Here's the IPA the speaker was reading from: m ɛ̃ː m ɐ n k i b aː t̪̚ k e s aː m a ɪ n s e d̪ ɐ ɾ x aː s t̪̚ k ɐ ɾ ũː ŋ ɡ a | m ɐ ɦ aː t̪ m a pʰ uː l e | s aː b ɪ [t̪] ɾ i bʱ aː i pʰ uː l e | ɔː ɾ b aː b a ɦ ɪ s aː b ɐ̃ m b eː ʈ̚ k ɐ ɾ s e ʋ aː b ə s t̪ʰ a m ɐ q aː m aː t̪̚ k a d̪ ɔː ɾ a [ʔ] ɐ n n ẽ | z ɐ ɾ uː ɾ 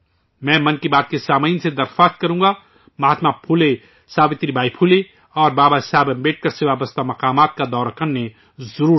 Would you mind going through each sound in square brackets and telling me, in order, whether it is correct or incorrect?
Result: correct, incorrect: k

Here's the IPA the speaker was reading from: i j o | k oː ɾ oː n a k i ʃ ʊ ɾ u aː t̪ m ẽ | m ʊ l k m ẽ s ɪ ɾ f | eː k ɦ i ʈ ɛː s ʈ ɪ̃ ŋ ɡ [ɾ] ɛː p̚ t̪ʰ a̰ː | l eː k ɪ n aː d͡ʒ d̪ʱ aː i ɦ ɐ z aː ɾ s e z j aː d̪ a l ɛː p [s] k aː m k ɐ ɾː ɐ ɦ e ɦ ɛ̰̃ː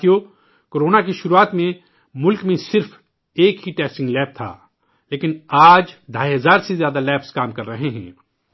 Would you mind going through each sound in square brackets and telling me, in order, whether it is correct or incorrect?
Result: incorrect: l, correct

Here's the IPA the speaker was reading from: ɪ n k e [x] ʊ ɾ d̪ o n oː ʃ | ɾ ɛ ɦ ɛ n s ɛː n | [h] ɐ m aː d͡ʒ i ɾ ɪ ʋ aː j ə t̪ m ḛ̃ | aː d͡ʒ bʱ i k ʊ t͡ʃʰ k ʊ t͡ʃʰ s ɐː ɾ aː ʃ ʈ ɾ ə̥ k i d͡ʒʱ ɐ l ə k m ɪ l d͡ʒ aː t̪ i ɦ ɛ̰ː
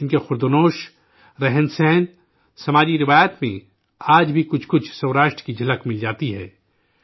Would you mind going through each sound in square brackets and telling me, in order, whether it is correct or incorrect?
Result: correct, incorrect: s

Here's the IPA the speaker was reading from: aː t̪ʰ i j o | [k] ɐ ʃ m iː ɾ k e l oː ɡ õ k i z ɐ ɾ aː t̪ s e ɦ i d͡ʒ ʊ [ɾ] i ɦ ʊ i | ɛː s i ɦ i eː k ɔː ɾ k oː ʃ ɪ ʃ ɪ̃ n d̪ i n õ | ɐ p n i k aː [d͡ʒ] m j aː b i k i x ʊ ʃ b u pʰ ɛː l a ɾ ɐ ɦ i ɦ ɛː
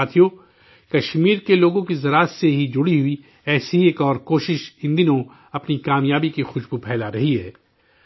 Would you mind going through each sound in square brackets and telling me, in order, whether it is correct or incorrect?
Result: correct, incorrect: ɽ, incorrect: none

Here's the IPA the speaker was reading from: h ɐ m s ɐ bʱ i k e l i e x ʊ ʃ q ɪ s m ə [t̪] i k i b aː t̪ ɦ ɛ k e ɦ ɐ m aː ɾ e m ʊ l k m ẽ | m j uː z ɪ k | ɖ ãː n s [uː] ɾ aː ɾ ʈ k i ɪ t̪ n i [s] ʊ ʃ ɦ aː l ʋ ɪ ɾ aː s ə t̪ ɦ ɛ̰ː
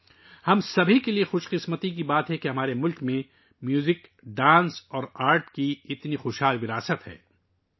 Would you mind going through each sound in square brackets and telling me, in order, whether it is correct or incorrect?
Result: correct, incorrect: ɔː, incorrect: x

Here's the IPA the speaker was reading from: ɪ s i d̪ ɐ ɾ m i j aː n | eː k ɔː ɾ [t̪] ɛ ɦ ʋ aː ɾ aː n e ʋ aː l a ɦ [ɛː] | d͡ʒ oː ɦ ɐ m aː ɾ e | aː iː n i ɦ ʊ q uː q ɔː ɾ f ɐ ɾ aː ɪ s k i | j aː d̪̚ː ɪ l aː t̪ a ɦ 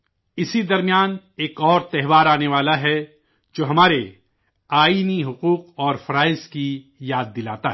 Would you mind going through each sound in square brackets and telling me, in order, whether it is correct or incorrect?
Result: correct, incorrect: ɛ

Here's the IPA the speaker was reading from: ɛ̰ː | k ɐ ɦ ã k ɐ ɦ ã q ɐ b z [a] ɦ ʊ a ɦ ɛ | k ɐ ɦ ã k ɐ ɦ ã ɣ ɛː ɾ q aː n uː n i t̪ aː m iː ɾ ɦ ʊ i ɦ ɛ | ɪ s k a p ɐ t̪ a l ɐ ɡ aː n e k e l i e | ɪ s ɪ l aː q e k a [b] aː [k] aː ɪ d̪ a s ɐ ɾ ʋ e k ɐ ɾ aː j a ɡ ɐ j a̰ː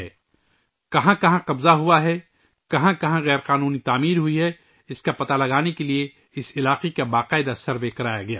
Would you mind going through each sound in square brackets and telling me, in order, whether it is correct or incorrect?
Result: correct, correct, incorrect: q

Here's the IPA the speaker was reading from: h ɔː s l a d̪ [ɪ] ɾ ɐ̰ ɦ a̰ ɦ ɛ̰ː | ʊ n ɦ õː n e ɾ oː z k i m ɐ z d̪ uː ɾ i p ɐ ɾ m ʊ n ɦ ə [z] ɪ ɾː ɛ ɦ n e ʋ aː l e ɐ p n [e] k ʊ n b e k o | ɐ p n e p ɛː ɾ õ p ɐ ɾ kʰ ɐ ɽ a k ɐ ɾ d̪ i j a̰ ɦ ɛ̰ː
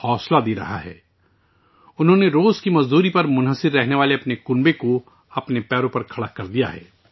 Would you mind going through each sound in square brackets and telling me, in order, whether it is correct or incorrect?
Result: incorrect: i, incorrect: s, correct

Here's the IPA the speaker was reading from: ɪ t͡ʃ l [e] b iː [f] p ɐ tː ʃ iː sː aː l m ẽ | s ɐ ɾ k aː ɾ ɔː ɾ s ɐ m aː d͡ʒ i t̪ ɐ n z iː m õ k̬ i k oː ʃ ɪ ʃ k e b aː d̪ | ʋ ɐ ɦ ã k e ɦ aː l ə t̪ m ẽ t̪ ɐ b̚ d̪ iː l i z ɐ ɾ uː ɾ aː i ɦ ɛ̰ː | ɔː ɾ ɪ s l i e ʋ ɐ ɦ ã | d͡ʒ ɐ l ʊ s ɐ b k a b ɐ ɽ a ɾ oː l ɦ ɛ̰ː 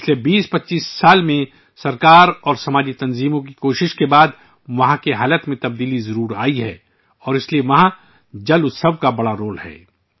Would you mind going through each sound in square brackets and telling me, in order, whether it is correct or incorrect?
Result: correct, incorrect: s

